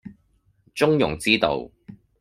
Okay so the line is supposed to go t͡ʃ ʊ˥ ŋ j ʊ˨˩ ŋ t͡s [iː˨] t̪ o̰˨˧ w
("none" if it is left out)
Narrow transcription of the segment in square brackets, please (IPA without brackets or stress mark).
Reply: iː˥